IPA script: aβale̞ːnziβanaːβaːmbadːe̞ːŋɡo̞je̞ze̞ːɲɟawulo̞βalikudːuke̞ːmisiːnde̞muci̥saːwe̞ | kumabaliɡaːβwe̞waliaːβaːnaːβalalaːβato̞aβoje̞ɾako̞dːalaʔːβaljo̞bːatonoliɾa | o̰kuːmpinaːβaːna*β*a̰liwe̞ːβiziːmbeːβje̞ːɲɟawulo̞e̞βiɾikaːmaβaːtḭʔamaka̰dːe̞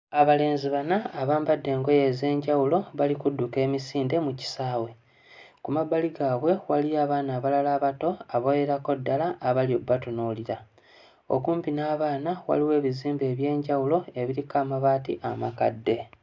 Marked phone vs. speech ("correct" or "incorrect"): incorrect